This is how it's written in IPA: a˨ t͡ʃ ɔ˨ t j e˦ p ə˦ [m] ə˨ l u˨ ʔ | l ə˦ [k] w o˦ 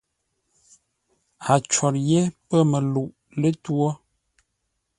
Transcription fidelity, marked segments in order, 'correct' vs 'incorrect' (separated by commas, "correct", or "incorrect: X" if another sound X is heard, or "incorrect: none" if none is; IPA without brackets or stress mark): correct, incorrect: t